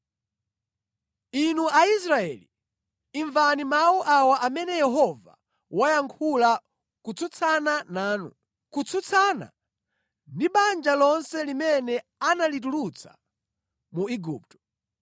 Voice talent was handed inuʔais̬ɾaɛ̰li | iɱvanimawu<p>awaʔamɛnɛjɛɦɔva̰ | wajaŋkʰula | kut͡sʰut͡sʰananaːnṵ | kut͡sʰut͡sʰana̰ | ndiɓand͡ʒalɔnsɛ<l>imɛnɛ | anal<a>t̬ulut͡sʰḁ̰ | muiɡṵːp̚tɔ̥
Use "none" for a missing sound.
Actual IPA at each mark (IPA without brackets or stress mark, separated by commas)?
ʔ, l, i